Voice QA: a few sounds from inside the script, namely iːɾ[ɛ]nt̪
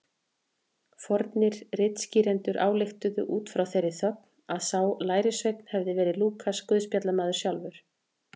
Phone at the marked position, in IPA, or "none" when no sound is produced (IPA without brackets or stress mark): ɛ